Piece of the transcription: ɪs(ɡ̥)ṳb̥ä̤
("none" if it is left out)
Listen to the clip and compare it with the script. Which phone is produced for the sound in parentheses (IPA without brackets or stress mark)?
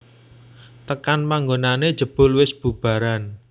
b̥